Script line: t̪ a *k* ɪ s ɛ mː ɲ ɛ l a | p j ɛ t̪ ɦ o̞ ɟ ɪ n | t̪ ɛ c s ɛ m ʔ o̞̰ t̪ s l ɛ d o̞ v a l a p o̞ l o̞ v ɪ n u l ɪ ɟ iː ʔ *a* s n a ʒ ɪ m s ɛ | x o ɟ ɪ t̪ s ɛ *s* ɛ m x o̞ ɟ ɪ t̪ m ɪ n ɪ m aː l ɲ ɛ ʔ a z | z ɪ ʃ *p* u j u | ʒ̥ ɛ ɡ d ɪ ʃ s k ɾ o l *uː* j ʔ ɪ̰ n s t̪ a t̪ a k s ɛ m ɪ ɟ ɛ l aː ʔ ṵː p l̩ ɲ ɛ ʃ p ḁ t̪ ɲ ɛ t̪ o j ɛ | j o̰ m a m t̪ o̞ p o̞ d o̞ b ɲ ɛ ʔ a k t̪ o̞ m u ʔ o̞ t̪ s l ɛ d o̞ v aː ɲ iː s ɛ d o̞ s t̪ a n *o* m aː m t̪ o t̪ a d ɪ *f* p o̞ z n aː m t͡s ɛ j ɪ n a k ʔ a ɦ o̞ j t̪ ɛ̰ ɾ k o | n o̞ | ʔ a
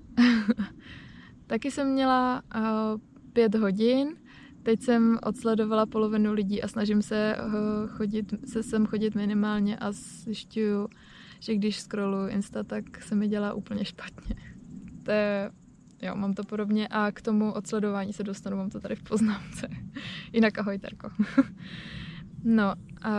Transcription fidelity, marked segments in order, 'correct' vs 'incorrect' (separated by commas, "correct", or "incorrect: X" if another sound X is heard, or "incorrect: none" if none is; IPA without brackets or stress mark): correct, correct, correct, incorrect: c, incorrect: u, incorrect: u, correct